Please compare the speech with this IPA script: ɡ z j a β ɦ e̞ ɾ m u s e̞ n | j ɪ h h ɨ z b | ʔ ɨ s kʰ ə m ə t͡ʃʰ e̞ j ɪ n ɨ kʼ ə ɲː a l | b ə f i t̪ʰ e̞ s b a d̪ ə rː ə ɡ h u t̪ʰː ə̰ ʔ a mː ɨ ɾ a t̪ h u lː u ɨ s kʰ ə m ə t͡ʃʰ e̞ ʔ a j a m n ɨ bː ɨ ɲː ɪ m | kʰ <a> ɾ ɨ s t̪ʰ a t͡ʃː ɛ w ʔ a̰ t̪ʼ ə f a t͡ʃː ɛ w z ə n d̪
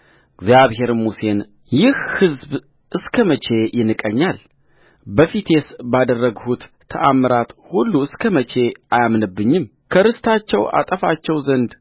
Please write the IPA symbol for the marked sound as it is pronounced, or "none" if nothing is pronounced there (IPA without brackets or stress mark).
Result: ə